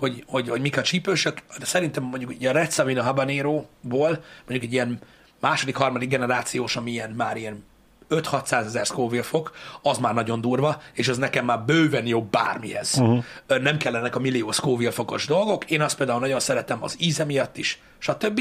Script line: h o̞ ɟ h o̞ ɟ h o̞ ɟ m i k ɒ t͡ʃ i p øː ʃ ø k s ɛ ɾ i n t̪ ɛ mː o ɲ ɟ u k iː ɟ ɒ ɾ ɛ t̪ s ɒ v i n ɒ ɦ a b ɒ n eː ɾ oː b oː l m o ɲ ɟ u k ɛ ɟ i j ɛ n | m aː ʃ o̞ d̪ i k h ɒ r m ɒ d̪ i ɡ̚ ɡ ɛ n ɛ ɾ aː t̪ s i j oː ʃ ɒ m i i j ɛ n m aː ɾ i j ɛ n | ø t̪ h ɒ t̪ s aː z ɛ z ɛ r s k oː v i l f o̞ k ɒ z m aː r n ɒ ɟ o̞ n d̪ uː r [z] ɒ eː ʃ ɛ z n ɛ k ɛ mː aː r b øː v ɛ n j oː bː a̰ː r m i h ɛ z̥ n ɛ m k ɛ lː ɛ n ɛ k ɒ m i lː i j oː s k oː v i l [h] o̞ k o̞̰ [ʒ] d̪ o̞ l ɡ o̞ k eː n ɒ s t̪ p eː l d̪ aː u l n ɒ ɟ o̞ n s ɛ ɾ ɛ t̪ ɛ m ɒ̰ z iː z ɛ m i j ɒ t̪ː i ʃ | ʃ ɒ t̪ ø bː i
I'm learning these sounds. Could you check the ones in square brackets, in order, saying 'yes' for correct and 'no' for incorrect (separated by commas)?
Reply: no, no, yes